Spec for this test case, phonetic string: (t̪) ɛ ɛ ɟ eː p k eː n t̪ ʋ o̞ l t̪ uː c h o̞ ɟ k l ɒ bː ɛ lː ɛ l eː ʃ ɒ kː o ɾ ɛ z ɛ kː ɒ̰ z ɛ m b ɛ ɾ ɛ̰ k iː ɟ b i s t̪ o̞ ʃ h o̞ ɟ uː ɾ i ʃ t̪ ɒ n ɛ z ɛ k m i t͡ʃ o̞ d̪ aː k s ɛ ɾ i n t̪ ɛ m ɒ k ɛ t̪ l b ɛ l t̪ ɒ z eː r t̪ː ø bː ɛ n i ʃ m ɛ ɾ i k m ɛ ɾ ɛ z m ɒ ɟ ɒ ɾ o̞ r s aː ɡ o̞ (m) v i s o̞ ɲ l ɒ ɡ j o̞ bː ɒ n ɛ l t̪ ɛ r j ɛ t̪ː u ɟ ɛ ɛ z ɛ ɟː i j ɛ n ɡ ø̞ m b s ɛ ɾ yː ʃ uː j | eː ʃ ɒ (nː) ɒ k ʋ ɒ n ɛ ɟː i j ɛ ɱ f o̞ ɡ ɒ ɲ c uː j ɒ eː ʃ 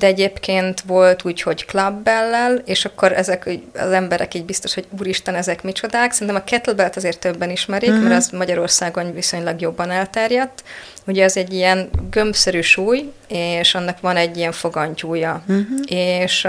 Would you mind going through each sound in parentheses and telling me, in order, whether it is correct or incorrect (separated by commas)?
incorrect, incorrect, correct